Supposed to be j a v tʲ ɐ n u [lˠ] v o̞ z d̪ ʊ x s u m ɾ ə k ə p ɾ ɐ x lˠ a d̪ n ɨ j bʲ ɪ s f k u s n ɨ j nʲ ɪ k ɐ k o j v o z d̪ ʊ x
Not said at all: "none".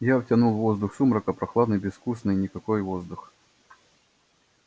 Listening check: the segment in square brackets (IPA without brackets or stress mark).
lˠ